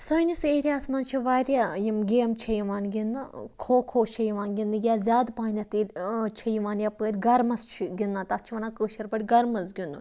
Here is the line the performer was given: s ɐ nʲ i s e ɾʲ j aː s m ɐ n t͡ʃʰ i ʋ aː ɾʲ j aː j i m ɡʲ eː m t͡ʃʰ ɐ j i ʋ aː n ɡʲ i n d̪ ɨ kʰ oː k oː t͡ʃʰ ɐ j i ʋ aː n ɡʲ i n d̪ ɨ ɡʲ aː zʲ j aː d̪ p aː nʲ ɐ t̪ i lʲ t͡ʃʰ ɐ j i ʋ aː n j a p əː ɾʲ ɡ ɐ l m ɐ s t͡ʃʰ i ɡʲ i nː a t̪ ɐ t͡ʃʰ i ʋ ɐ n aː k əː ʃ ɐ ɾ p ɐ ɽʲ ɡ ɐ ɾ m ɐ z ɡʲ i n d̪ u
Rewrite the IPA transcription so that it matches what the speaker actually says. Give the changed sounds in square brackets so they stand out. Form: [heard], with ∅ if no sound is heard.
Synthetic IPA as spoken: s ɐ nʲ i s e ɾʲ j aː s m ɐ n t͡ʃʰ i ʋ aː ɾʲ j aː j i m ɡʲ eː m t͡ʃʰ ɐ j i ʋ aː n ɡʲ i n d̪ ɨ kʰ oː [kʰ] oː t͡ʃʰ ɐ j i ʋ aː n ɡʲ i n d̪ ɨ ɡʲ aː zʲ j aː d̪ p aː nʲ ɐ t̪ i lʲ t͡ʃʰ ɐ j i ʋ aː n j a p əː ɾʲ ɡ ɐ [ɾ] m ɐ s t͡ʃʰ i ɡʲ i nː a t̪ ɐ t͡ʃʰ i ʋ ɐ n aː k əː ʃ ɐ ɾ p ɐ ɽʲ ɡ ɐ ɾ m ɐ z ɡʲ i n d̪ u